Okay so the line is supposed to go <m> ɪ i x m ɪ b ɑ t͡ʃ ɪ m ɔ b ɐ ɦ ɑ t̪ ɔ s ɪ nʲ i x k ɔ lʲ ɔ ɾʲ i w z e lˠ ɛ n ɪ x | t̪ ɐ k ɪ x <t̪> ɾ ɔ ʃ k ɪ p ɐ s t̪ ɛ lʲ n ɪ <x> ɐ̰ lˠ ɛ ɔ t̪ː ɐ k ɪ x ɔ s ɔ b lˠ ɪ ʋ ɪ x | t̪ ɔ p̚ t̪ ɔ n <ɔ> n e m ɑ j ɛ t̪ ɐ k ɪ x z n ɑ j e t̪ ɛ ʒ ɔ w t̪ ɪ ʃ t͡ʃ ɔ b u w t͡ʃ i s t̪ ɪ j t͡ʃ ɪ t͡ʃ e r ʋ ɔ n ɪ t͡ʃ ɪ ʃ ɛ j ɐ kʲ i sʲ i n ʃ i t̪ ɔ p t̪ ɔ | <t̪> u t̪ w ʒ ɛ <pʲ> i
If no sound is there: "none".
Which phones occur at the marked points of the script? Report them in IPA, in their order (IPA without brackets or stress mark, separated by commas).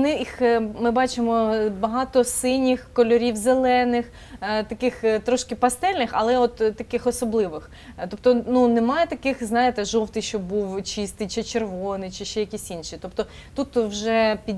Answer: n, t̪, x, u, t̪, pʲ